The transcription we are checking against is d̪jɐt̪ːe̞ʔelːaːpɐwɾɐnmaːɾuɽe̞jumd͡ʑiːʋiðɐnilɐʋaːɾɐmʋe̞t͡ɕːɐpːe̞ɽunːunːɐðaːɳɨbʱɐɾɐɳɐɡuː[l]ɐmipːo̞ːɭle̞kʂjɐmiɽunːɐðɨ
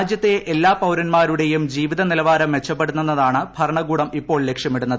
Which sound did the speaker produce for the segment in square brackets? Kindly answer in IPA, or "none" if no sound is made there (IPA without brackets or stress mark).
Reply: ɽ